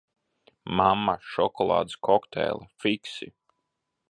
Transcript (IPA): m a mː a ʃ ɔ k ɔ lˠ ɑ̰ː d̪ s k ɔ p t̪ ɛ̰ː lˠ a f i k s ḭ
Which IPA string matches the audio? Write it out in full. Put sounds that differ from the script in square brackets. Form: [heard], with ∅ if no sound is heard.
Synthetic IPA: m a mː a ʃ ɔ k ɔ lˠ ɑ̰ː d̪ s k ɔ [k] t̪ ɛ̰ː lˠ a f i k s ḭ